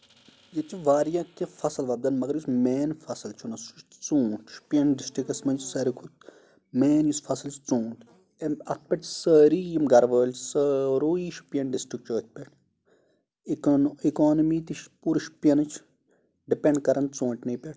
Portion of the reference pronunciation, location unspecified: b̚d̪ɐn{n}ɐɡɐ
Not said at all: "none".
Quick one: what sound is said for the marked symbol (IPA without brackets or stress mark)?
m